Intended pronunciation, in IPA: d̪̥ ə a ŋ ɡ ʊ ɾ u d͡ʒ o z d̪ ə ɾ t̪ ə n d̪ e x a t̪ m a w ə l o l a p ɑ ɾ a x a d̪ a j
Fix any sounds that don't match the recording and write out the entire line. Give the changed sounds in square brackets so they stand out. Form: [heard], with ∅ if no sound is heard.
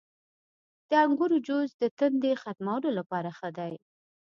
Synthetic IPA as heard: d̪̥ ə a ŋ ɡ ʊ ɾ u d͡ʒ o z d̪ ə [∅] t̪ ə n d̪ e x a t̪ m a w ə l o l a p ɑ ɾ a x [ə] d̪ a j

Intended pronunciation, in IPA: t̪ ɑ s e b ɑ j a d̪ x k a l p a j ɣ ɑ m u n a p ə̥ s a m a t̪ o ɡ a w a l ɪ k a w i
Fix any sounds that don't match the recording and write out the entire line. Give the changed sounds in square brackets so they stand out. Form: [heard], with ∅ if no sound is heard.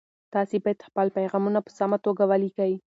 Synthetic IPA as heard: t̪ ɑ s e b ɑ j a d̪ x [p] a l p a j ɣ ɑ m u n a p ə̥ s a m a t̪ o ɡ a w a l [i] k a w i

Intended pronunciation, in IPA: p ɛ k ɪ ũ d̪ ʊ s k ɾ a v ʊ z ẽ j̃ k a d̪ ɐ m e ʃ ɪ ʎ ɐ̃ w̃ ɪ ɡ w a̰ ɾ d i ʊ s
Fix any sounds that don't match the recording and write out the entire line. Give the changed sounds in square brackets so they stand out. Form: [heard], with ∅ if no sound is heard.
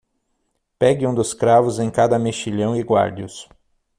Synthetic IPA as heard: p ɛ [ɡ] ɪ ũ d̪ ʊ s k ɾ a v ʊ z ẽ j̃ k a d̪ ɐ m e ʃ [i] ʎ ɐ̃ w̃ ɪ ɡ w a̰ ɾ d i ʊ s

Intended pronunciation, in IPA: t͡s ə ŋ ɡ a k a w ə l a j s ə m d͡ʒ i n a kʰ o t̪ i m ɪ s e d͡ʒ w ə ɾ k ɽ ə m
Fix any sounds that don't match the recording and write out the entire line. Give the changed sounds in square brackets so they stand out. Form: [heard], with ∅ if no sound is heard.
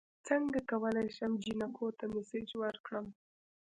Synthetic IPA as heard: t͡s ə ŋ ɡ a k a w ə l a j [ʃ] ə m d͡ʒ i n a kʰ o t̪ [a] m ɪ s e d͡ʒ w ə ɾ k ɽ ə m

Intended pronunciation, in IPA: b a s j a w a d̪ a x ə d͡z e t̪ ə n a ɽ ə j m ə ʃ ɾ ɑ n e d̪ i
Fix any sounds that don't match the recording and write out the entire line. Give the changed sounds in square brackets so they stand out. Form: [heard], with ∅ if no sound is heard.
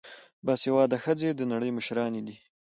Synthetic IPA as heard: b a s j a w [ɑ] d̪ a x ə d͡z e [d̪] ə n a ɽ ə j m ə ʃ ɾ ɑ n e d̪ i

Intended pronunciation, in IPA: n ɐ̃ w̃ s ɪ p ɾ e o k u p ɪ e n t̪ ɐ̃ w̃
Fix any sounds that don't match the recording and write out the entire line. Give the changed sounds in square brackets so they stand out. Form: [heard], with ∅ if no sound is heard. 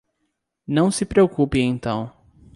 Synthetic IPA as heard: n ɐ̃ w̃ s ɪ p ɾ e o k u p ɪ [ẽ] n t̪ ɐ̃ w̃

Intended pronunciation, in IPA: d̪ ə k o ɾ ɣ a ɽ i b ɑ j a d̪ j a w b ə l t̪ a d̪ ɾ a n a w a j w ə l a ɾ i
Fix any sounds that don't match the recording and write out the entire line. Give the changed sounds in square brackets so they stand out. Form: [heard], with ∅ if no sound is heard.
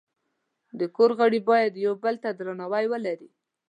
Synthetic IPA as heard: d̪ ə k o ɾ ɣ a ɽ i b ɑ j a d̪ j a w b ə l t̪ a d̪ ɾ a n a w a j w ə l a ɾ i

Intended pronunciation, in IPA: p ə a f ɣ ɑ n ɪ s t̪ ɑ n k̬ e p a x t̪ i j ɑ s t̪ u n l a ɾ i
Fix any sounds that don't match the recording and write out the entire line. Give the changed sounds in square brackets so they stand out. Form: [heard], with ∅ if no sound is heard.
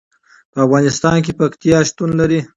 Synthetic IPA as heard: p ə a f ɣ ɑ n ɪ s t̪ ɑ n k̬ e p a [k] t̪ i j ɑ [ʃ] t̪ u n l a ɾ i

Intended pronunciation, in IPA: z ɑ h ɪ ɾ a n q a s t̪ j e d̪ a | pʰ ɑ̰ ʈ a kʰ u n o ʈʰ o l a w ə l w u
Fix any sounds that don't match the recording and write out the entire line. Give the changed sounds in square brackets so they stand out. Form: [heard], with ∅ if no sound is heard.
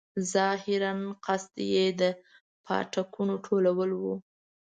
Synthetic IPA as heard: z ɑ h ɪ ɾ a n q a s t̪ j e d̪ [ə] | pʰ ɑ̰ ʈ a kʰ u n o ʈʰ o l a w ə l w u

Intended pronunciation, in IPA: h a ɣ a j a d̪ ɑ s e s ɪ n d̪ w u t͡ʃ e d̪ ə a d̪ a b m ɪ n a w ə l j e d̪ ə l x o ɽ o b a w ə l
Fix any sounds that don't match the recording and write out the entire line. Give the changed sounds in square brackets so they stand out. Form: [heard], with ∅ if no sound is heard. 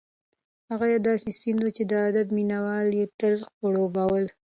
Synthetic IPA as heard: h a ɣ a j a d̪ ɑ s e s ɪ n d̪ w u t͡ʃ e d̪ ə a d̪ a b m [i] n a w [ɑ] l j e [t̪] ə l x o ɽ o b a w ə l

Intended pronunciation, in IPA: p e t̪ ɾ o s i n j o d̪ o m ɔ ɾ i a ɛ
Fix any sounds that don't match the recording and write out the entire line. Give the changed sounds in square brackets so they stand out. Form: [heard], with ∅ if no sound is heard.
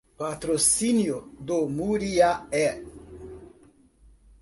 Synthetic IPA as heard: p [a] t̪ ɾ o s i n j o d̪ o m [u] ɾ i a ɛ

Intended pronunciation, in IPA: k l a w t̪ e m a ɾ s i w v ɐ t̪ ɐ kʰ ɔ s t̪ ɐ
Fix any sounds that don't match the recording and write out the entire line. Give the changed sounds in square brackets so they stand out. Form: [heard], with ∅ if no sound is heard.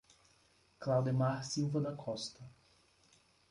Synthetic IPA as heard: k l a w [d̪] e m a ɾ s i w v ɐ [d̪] ɐ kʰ ɔ s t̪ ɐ

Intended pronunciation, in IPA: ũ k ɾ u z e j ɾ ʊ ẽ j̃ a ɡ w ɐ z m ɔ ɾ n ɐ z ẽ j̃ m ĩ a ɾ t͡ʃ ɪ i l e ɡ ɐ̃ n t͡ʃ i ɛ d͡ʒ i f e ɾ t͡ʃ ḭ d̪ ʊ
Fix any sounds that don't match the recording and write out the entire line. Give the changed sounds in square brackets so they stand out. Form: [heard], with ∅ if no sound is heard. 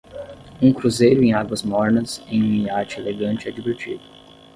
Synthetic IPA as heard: ũ k ɾ u z e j ɾ ʊ ẽ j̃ a ɡ w ɐ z m ɔ ɾ n ɐ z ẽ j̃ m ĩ a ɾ t͡ʃ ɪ [e] l e ɡ ɐ̃ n t͡ʃ [ɪ] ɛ d͡ʒ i [v] e ɾ t͡ʃ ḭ d̪ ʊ

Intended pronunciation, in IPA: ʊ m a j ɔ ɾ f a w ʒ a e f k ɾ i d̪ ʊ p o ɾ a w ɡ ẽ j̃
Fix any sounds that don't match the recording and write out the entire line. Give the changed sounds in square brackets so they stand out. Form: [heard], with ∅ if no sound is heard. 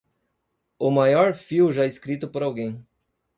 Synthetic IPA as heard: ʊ m a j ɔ ɾ f [i] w ʒ a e [s] k ɾ i [t̪] ʊ p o ɾ a w ɡ ẽ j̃

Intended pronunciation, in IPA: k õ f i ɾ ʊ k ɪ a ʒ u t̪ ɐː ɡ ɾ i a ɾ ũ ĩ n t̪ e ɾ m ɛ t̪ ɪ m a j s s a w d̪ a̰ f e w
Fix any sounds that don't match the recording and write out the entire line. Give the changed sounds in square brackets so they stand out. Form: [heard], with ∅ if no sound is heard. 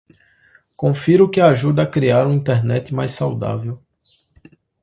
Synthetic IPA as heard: k õ f i ɾ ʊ k ɪ a ʒ u [d̪] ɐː [k] ɾ i a ɾ ũ ĩ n t̪ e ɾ [n] ɛ t̪ ɪ m a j s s a w d̪ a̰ [v] e w

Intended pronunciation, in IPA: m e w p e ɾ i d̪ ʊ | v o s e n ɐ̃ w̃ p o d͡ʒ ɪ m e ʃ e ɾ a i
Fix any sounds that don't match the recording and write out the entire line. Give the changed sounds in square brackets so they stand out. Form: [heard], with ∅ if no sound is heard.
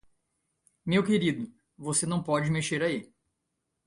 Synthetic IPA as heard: m e w [k] e ɾ i d̪ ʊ | v o s e n ɐ̃ w̃ p [ɔ] d͡ʒ ɪ m e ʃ e ɾ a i

